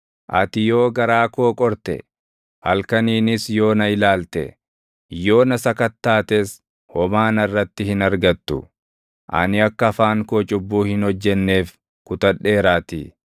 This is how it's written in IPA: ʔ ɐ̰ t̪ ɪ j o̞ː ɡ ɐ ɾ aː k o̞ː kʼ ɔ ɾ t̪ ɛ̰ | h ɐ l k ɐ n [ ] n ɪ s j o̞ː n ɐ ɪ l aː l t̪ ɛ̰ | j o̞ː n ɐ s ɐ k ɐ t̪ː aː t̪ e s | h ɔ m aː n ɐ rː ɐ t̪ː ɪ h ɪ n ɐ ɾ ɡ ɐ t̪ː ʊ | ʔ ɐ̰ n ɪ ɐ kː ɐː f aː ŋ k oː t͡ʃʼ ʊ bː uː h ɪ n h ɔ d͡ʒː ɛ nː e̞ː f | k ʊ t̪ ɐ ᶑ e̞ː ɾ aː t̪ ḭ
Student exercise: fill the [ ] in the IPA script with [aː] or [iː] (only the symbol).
iː